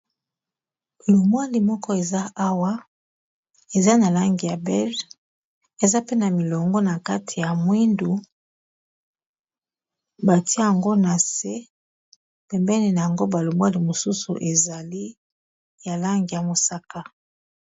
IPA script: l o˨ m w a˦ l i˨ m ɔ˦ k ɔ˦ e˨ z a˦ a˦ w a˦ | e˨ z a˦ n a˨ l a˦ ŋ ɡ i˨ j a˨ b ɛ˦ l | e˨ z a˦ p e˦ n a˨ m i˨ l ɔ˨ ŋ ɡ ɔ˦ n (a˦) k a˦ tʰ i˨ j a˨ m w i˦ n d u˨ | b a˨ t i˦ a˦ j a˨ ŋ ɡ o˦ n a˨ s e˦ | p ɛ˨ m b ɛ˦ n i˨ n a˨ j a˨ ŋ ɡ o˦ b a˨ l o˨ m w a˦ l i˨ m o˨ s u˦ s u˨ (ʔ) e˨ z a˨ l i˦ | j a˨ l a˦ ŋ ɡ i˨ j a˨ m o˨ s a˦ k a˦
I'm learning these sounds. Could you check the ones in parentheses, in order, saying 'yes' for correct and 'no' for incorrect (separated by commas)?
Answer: no, yes